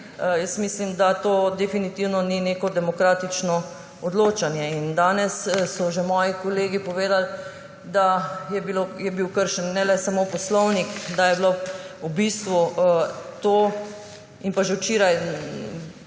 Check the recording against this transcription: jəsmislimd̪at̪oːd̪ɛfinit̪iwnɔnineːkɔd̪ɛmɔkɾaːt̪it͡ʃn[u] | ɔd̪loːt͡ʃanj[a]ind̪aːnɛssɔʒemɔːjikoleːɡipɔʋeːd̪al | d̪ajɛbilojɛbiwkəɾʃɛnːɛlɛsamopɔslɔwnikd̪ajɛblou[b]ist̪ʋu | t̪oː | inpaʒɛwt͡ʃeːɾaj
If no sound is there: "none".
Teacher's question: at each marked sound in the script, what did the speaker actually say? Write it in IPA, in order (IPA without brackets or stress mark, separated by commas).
ɔ, ɛ, b